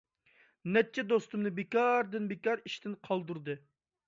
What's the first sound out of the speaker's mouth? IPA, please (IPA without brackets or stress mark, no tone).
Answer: n